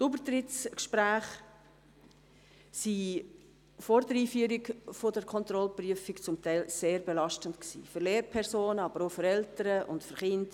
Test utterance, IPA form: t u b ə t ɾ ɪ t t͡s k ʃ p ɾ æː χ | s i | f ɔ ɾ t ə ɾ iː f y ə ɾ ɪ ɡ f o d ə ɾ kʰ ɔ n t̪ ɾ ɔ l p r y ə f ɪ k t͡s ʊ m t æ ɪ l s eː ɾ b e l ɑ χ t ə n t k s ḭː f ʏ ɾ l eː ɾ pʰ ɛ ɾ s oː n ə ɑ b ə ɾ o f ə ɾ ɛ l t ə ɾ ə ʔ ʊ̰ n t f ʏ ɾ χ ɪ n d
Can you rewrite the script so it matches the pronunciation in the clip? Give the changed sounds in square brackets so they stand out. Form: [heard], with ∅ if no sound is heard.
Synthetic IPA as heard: t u b ə t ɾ ɪ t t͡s k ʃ p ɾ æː χ | s i | f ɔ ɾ [d] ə ɾ iː f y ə ɾ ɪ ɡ f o d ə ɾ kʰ ɔ n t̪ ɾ ɔ l p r y ə f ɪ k t͡s ʊ m t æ ɪ l s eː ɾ b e l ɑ [ʃ] t ə n t k s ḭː f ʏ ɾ l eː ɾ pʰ ɛ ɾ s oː n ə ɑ b ə ɾ o f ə ɾ ɛ l t ə ɾ ə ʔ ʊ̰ n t f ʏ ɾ χ ɪ n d